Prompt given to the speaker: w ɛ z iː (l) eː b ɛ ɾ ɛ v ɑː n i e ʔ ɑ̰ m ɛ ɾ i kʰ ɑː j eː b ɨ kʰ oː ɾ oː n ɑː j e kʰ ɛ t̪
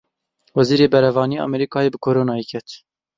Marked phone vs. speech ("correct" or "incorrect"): incorrect